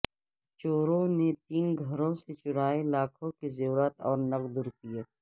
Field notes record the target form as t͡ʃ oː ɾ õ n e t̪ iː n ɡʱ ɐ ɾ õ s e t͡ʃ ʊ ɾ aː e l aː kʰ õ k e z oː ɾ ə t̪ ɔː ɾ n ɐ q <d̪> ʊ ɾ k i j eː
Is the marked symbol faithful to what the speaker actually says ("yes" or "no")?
yes